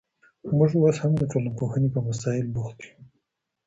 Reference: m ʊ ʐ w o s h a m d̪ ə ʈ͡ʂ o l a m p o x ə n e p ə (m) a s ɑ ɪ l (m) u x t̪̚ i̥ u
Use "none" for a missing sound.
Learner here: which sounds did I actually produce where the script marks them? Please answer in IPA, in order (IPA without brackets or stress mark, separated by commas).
m, b